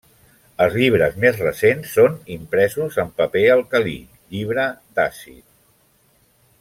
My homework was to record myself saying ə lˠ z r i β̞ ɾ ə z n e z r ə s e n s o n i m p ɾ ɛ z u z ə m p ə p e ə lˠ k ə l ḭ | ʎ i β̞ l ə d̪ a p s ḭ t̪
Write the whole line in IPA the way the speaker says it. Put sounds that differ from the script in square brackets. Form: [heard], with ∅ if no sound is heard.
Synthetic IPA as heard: ə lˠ z [ʎ] i β̞ ɾ ə z [m] e z r ə s e n [sː] o n i m p ɾ ɛ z u z ə m p ə p e ə lˠ k ə l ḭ | ʎ i β̞ [ɾ] ə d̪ a [∅] s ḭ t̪